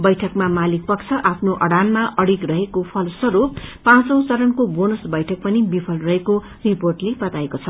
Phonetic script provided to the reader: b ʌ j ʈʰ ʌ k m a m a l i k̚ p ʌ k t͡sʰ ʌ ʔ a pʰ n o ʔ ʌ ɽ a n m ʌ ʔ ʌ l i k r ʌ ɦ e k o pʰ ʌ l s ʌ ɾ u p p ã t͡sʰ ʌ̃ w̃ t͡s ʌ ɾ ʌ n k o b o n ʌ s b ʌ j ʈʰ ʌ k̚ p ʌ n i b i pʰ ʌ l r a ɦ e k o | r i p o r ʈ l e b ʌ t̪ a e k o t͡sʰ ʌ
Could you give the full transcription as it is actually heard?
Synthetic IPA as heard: b ʌ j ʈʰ ʌ k m a m a l i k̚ p ʌ k t͡sʰ ʌ ʔ a pʰ n o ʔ ʌ ɽ a n m a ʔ ʌ ɽ i k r ʌ ɦ e k o pʰ ʌ l s ʌ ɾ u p p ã t͡s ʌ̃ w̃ t͡s ʌ ɾ ʌ n k o b o n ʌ s b ʌ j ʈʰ ʌ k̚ p ʌ n i b i pʰ ʌ l r ʌ ɦ e k o | r i p o r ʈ l e b ʌ t̪ a e k o t͡sʰ ʌ